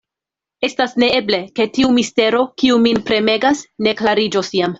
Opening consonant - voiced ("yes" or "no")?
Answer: no